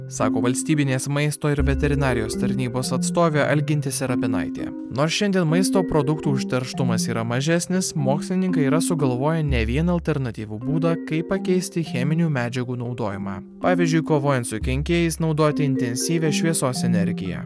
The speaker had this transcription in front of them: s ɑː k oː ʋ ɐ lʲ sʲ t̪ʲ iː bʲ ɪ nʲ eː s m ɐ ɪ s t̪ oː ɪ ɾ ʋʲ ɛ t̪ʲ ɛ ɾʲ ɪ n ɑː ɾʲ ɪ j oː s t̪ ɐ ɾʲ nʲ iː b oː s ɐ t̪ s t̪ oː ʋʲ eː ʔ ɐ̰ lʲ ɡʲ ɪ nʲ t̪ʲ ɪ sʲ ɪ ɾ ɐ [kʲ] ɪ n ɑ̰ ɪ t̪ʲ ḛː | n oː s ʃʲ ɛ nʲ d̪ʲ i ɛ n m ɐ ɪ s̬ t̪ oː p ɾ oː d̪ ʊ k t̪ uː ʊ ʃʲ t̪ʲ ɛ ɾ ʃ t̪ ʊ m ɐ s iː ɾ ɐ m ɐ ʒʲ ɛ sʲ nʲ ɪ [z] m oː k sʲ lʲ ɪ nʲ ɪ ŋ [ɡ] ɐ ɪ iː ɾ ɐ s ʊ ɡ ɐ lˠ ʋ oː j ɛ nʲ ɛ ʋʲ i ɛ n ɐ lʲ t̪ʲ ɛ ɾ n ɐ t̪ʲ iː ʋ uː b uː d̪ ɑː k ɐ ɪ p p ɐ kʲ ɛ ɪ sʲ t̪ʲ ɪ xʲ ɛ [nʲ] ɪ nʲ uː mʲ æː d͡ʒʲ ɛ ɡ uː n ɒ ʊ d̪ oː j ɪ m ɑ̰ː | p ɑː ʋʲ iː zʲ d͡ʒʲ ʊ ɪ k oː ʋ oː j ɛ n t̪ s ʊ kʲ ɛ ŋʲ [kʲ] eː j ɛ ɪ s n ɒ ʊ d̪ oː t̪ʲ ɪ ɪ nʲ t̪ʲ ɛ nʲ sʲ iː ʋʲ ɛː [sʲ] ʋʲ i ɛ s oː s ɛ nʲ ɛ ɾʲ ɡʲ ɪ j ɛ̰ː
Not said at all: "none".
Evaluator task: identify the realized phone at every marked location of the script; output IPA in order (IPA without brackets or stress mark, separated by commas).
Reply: pʲ, s, k, mʲ, kʲ, ʃʲ